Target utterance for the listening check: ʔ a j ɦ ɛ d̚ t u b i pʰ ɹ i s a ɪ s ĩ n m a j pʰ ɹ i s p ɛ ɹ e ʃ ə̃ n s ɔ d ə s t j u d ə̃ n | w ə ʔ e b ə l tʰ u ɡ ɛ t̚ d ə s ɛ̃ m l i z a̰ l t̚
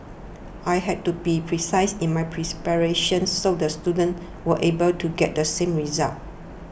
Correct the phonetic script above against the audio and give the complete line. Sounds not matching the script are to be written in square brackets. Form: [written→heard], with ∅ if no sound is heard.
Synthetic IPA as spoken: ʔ a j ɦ ɛ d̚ t u b i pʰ ɹ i s a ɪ s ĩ n m a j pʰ ɹ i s p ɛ ɹ e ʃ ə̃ n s [ɔ→o] d ə s t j u d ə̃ n | w ə ʔ e b ə l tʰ u ɡ ɛ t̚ d ə s [ɛ̃→ẽ] m [l→ɹ] i z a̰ l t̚